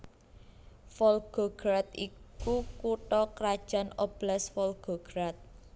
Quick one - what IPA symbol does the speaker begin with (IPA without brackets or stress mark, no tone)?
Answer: f